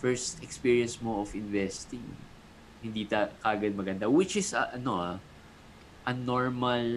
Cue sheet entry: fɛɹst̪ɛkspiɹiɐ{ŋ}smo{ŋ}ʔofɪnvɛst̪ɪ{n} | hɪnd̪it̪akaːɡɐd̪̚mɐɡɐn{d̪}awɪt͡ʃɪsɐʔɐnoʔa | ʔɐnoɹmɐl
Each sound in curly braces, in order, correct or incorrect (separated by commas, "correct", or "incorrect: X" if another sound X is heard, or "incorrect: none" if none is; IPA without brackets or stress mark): incorrect: n, incorrect: none, incorrect: ŋ, correct